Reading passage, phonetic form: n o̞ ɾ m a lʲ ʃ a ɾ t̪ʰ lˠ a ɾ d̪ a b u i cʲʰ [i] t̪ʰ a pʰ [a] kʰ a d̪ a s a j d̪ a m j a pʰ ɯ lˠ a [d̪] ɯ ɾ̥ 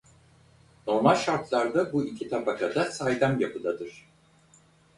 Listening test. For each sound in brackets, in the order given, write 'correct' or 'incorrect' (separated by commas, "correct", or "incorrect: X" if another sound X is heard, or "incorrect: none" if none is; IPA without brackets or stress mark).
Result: correct, correct, correct